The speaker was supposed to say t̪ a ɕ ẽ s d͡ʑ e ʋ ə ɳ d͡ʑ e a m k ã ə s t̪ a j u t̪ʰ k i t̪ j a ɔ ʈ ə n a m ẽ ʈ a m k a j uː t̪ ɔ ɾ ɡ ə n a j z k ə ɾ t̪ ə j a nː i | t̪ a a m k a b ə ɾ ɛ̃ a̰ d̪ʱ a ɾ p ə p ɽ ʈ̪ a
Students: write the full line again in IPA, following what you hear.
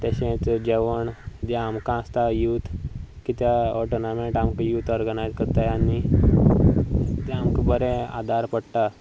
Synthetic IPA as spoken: t̪ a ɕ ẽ t͡s d͡ʑ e ʋ ə ɳ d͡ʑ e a m k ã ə s t̪ a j u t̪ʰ k i t̪ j a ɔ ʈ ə n a m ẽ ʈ a m k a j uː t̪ ɔ ɾ ɡ ə n a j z k ə ɾ t̪ a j a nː i | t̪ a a m k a b ə ɾ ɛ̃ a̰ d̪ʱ a ɾ p ə ɽ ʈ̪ a